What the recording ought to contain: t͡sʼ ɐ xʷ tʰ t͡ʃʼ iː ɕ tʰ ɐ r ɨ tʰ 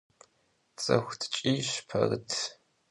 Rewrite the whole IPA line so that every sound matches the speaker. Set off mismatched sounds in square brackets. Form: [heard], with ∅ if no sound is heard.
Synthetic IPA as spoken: t͡sʼ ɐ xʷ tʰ t͡ʃʼ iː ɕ [pʰ] ɐ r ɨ tʰ